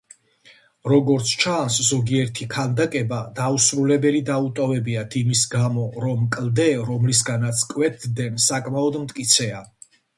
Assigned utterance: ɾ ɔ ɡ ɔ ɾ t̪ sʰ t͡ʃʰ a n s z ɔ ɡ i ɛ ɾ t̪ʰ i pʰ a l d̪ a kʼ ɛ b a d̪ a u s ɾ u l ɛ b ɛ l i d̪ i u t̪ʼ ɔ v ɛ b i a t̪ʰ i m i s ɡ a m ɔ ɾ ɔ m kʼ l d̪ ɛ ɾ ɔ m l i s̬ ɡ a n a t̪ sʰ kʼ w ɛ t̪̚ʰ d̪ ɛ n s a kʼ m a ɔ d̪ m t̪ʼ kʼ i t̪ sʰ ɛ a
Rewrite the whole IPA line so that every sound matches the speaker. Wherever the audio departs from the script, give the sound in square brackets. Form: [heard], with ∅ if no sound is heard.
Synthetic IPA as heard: ɾ ɔ ɡ ɔ ɾ t̪ sʰ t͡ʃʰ a n s z ɔ ɡ i ɛ ɾ t̪ʰ i [kʰ] a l d̪ a kʼ ɛ b a d̪ a u s ɾ u l ɛ b ɛ l i d̪ [a] u t̪ʼ ɔ v ɛ b i a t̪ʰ i m i s ɡ a m ɔ ɾ ɔ m kʼ l d̪ ɛ ɾ ɔ m l i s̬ ɡ a n a t̪ sʰ kʼ w ɛ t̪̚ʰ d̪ ɛ n s a kʼ m a ɔ d̪ m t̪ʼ kʼ i t̪ sʰ ɛ a

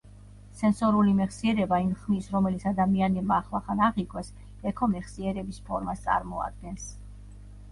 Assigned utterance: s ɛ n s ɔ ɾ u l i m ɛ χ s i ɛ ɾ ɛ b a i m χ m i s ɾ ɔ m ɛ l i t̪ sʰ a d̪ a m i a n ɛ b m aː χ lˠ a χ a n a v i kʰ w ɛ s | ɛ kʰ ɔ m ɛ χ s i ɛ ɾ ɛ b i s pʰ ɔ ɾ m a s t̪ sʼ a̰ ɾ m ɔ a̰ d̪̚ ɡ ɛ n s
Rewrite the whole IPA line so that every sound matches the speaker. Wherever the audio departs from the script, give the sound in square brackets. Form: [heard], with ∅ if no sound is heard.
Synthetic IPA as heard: s ɛ n s ɔ ɾ u l i m ɛ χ s i ɛ ɾ ɛ b a i m χ m i s ɾ ɔ m ɛ l i t̪ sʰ a d̪ a m i a n ɛ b m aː χ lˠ a χ a n a [ʁ] i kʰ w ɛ s | ɛ kʰ ɔ m ɛ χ s i ɛ ɾ ɛ b i s pʰ ɔ ɾ m a s t̪ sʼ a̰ ɾ m ɔ a̰ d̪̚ ɡ ɛ n s

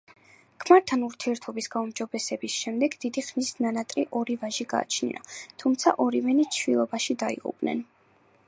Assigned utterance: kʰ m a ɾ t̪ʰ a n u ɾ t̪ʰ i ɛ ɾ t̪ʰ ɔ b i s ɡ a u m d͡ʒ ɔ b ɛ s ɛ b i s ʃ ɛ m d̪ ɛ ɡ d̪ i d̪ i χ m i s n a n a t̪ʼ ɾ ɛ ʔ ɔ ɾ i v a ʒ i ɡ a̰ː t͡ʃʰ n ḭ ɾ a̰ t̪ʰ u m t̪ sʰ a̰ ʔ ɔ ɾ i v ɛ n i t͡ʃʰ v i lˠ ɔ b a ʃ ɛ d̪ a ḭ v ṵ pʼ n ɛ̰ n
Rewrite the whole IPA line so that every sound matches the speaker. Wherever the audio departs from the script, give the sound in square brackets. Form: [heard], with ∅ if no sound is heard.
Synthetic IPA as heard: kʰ m a ɾ t̪ʰ a n u ɾ t̪ʰ i ɛ ɾ t̪ʰ ɔ b i s ɡ a u m d͡ʒ ɔ b ɛ s ɛ b i s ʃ ɛ m d̪ ɛ ɡ d̪ i d̪ i χ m i s n a n a t̪ʼ ɾ [i] ʔ ɔ ɾ i v a ʒ i ɡ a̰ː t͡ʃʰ n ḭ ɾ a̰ t̪ʰ u m t̪ sʰ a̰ ʔ ɔ ɾ i v ɛ n i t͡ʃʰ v i lˠ ɔ b a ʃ [i] d̪ a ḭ [ʁ] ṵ pʼ n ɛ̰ n

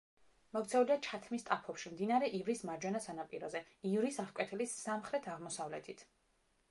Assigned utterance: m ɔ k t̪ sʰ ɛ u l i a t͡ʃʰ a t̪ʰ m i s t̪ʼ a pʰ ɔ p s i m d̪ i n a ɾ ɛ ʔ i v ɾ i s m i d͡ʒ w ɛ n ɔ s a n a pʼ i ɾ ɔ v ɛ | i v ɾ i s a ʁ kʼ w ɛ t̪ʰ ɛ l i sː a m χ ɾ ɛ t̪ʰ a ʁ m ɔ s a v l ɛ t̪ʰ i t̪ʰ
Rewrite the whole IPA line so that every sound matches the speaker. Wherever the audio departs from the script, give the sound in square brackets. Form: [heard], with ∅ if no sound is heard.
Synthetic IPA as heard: m ɔ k t̪ sʰ ɛ u l i a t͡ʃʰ a t̪ʰ m i s t̪ʼ a pʰ ɔ p [ʃ] i m d̪ i n a ɾ ɛ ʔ i v ɾ i s m [a] d͡ʒ w ɛ n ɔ s a n a pʼ i ɾ ɔ [z] ɛ | i v ɾ i s a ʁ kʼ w ɛ t̪ʰ ɛ l i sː a m χ ɾ ɛ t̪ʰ a ʁ m ɔ s a v l ɛ t̪ʰ i t̪ʰ

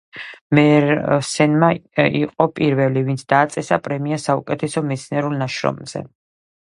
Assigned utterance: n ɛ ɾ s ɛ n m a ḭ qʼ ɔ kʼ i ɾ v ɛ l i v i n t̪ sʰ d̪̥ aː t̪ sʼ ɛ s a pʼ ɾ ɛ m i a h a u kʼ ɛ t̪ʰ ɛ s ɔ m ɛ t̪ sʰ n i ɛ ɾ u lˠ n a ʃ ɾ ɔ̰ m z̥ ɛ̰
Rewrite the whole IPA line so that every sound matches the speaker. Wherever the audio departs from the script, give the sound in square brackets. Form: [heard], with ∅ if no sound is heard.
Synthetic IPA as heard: [m] ɛ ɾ s ɛ n m a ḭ qʼ ɔ [pʼ] i ɾ v ɛ l i v i n t̪ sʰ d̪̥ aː t̪ sʼ ɛ s a pʼ ɾ ɛ m i a [s] a u kʼ ɛ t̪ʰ ɛ s ɔ m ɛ t̪ sʰ n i ɛ ɾ u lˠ n a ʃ ɾ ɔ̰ m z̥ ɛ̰

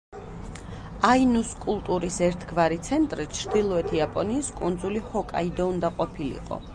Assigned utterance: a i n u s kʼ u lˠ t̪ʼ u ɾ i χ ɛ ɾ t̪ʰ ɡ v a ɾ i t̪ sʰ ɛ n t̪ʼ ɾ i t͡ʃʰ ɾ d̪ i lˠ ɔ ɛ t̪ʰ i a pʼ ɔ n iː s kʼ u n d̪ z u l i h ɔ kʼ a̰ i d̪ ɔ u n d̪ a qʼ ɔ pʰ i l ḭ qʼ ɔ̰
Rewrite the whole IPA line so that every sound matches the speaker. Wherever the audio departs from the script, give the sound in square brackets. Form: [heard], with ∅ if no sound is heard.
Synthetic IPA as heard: a i n u s kʼ u lˠ t̪ʼ u ɾ i [s] ɛ ɾ t̪ʰ ɡ v a ɾ i t̪ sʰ ɛ n t̪ʼ ɾ i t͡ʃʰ ɾ d̪ i lˠ ɔ ɛ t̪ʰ i a pʼ ɔ n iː s kʼ u n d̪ z u l i h ɔ kʼ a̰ i d̪ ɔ u n d̪ a qʼ ɔ pʰ i l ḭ qʼ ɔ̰

